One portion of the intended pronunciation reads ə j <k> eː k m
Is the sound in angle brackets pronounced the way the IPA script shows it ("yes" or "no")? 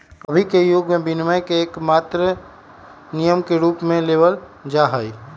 yes